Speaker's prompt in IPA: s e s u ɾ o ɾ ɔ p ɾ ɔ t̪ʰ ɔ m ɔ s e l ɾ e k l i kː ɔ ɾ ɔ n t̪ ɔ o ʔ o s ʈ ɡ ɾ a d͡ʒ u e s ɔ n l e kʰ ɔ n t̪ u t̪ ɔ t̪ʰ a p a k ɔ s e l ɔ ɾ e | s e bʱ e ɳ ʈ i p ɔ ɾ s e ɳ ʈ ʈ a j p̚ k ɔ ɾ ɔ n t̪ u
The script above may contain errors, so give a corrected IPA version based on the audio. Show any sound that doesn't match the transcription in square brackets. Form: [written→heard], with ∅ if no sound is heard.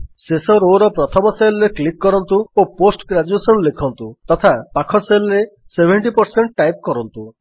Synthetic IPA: s e s [u→ɔ] ɾ o ɾ ɔ p ɾ ɔ t̪ʰ ɔ m ɔ s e l ɾ e k l i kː ɔ ɾ ɔ n t̪ [ɔ→u] o [ʔ→p] o s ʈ ɡ ɾ a d͡ʒ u e s ɔ n l e kʰ ɔ n t̪ u t̪ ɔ t̪ʰ a p a [k→kʰ] ɔ s e l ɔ ɾ e | s e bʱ e ɳ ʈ i p ɔ ɾ s e ɳ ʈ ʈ a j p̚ k ɔ ɾ ɔ n t̪ u